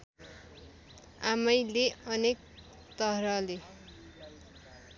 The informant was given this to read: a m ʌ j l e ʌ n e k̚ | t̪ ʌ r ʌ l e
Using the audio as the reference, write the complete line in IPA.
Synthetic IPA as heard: a m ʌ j l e ʌ n e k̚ | t̪ ʌ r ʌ l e